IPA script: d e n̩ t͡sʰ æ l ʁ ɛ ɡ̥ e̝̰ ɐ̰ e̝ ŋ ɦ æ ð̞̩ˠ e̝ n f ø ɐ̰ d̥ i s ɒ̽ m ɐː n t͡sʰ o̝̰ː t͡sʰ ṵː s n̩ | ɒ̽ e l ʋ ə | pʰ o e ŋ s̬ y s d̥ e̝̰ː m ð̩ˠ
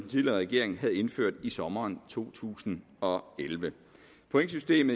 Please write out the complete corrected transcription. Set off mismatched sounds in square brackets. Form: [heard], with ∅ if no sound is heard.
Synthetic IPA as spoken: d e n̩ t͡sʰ [i] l ʁ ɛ ɡ̥ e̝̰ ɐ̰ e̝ ŋ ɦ æ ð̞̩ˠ e̝ n f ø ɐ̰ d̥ i s ɒ̽ m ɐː n t͡sʰ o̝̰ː t͡sʰ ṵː s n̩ | ɒ̽ e l ʋ ə | pʰ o e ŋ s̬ y s d̥ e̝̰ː m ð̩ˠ